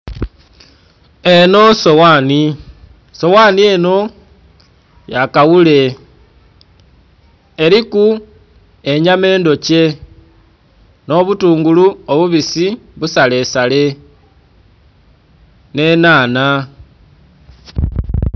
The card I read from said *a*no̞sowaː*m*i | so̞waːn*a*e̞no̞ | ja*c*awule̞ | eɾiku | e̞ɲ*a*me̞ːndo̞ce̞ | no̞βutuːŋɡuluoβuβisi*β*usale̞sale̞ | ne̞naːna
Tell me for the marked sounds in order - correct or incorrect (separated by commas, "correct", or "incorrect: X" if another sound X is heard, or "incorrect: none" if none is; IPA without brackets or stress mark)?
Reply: incorrect: e, incorrect: n, incorrect: i, incorrect: k, correct, correct